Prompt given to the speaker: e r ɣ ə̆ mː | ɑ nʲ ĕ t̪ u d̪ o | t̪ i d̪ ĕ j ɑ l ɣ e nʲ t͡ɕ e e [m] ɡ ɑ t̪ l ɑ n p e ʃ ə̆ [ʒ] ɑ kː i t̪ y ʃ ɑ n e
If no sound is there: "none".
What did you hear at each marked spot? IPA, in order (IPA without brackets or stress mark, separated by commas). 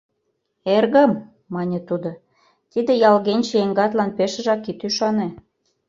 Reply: ŋ, ʒ